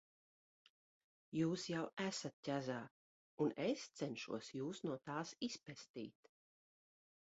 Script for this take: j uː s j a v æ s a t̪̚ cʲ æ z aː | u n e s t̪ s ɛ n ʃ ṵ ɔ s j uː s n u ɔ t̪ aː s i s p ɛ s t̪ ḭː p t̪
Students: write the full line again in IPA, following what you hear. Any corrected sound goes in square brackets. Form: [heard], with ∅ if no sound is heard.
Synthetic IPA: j uː s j a [w] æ s a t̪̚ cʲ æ z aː | u n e s t̪ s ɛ n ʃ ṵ ɔ s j uː s n u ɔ t̪ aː s i s p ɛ s t̪ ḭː [∅] t̪